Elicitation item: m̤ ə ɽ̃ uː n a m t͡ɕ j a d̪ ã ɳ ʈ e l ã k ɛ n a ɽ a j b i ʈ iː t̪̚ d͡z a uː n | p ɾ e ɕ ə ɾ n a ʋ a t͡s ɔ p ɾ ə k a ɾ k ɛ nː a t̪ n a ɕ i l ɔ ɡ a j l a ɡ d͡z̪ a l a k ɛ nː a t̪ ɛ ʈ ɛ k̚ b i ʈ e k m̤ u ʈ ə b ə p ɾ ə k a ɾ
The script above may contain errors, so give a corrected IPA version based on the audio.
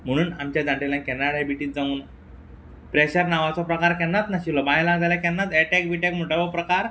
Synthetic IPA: m̤ ə ɽ̃ uː n a m t͡ɕ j a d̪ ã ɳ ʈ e l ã k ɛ n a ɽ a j b i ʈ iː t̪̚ d͡z a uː n | p ɾ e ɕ ə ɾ n a ʋ a t͡s ɔ p ɾ ə k a ɾ k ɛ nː a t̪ n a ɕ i l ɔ b a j l a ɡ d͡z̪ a l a k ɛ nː a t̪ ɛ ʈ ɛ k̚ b i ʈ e k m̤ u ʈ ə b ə p ɾ ə k a ɾ